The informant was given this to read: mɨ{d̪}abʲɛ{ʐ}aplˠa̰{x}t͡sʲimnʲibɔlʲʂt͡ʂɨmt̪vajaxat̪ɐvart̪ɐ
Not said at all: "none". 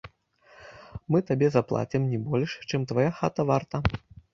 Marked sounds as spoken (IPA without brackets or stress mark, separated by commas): t̪, z, none